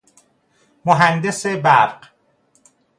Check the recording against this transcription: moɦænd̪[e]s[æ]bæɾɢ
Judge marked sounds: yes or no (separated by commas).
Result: yes, no